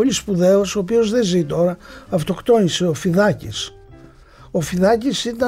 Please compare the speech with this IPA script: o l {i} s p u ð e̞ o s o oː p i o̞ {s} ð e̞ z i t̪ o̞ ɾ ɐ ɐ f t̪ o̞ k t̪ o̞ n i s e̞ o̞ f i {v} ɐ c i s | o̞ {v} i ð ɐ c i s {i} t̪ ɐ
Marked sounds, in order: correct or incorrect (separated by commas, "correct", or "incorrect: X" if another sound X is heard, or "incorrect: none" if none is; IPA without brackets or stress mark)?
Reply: correct, incorrect: z, incorrect: ð, incorrect: f, correct